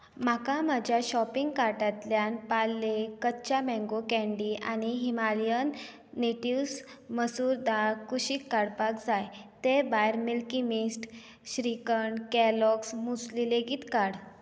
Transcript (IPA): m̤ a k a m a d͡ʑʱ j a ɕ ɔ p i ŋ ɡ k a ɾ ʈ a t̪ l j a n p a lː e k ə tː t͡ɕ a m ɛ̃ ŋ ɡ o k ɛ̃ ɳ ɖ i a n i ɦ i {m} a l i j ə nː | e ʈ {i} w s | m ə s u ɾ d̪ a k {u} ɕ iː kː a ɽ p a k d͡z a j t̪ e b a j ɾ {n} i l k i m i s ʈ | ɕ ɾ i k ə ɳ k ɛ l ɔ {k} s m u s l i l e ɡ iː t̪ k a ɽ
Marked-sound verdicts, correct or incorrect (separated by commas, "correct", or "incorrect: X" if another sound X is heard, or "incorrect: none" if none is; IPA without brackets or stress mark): correct, correct, correct, incorrect: m, correct